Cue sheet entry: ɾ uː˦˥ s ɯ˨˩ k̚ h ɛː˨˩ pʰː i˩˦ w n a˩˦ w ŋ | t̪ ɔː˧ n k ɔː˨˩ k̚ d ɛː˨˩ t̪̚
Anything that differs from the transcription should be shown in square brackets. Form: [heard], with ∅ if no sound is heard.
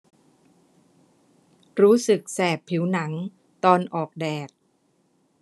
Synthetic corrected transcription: ɾ uː˦˥ s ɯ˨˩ k̚ [s] ɛː˨˩ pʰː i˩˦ w n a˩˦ [∅] ŋ | t̪ ɔː˧ n [ʔ] ɔː˨˩ k̚ d ɛː˨˩ t̪̚